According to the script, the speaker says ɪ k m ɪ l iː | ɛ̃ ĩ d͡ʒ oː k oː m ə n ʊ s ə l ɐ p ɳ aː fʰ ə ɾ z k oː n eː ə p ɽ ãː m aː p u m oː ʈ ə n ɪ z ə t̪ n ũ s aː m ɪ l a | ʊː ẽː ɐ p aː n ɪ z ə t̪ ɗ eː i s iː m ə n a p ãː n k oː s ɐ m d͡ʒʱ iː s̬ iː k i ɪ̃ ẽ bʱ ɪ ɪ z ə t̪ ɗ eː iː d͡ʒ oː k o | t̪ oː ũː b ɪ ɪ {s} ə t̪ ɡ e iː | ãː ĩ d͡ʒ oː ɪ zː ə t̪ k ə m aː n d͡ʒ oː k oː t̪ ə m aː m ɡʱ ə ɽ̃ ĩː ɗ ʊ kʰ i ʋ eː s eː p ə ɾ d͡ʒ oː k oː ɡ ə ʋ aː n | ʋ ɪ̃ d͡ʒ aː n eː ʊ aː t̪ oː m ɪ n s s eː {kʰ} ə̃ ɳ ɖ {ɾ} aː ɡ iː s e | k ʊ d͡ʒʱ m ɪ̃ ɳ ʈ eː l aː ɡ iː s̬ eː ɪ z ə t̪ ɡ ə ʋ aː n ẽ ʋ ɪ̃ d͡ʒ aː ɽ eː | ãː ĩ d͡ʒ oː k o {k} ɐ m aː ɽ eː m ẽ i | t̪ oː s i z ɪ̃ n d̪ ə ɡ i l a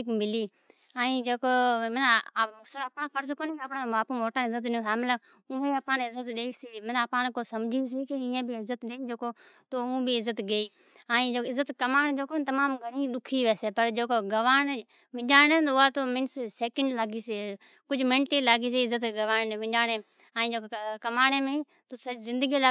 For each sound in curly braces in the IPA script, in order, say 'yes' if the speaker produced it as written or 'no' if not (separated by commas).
no, no, no, yes